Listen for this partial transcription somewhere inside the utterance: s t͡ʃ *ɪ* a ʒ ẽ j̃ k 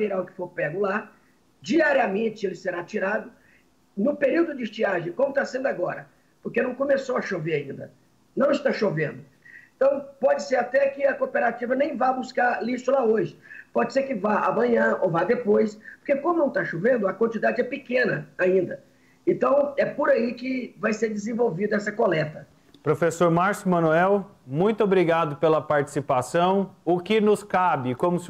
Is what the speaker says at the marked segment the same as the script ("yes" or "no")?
no